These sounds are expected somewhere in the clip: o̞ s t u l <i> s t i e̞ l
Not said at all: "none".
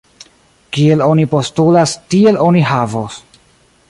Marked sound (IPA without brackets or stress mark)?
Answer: a